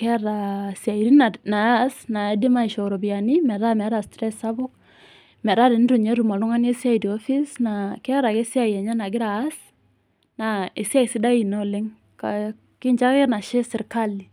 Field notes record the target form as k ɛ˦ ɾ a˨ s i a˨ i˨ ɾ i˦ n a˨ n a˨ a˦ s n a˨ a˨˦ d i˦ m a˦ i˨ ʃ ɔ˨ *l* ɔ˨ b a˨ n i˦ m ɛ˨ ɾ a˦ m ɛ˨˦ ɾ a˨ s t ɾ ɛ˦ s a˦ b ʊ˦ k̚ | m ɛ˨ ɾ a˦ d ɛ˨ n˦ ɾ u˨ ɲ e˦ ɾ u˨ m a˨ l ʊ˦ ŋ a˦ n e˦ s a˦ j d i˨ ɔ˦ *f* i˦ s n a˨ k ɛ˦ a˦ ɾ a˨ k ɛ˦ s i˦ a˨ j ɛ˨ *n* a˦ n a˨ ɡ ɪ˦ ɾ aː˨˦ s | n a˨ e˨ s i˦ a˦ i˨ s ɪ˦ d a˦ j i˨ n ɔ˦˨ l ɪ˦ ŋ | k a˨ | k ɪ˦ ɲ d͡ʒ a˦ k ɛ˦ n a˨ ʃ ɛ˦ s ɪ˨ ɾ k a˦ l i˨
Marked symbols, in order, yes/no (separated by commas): no, yes, no